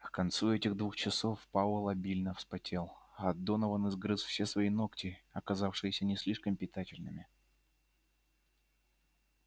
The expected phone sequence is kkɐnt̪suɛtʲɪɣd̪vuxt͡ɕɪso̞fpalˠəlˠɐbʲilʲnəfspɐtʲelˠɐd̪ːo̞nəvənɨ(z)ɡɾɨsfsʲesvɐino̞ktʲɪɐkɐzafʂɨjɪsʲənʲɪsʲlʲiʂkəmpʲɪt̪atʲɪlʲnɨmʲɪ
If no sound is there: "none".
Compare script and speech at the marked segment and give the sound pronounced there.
z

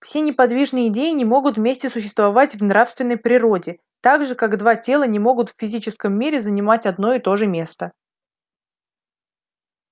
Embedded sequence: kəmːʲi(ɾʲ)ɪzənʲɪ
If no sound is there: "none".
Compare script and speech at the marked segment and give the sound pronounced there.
ɾʲ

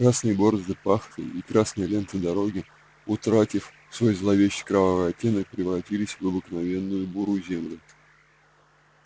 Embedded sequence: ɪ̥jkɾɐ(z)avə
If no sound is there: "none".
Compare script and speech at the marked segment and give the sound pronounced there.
v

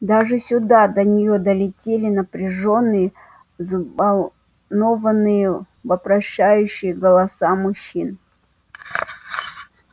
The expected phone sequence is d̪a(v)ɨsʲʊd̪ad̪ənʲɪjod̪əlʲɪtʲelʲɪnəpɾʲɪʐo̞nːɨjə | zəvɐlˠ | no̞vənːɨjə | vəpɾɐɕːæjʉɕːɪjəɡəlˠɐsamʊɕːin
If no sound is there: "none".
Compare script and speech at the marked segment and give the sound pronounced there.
ʐ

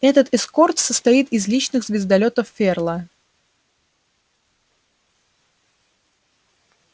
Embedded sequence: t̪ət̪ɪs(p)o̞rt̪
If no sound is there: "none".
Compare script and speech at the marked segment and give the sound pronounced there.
k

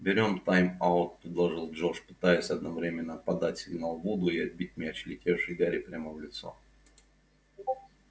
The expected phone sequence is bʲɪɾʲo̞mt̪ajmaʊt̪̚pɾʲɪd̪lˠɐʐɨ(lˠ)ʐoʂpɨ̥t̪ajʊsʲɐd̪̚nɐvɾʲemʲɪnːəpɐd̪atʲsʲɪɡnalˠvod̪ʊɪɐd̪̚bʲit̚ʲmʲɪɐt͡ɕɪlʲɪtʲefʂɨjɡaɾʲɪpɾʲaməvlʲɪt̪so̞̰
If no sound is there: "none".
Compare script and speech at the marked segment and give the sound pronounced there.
lˠ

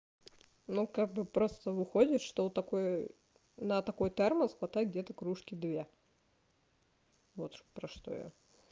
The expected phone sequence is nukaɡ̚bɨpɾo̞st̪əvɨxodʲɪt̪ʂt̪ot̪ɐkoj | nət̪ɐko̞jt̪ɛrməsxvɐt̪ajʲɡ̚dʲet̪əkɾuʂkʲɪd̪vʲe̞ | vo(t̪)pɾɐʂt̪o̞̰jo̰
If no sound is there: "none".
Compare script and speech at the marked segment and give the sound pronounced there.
t̪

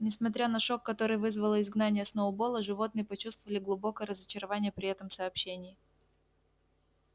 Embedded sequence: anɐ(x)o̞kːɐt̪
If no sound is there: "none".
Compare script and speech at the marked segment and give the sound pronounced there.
ʂ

